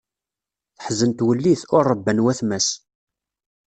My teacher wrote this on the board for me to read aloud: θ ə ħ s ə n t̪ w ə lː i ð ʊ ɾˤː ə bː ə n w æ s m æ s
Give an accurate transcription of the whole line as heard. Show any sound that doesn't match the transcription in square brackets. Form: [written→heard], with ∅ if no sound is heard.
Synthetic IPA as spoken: θ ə ħ [s→z] ə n t̪ w ə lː i [ð→θ] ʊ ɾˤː ə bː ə n w æ [s→θ] m æ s